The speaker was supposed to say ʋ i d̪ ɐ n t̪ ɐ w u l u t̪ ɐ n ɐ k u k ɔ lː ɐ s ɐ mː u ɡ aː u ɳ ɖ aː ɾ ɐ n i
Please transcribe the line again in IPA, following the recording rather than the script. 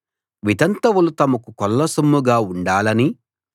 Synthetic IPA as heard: ʋ i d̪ ɐ n t̪ ɐ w u l u t̪ ɐ m ɐ k u k ɔ lː ɐ s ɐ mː u ɡ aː u ɳ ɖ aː l ɐ n i